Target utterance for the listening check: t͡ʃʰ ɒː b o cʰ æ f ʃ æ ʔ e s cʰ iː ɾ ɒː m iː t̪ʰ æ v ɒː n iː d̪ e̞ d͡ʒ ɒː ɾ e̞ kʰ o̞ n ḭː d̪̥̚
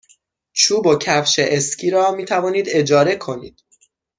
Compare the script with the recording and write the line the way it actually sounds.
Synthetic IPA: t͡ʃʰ uː b o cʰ æ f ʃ e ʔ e s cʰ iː ɾ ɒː m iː t̪ʰ æ v ɒː n iː d̪ e̞ d͡ʒ ɒː ɾ e̞ kʰ o̞ n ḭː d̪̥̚